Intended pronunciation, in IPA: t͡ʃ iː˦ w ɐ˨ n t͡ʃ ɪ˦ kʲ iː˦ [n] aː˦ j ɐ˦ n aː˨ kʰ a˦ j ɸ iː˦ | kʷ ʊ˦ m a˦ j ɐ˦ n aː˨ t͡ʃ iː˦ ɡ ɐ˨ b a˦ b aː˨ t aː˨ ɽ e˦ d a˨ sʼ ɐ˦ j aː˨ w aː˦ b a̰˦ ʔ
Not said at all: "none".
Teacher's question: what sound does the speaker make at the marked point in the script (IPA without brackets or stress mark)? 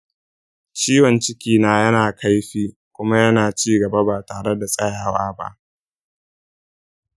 n